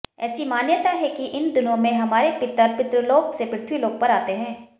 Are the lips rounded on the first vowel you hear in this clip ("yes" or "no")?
no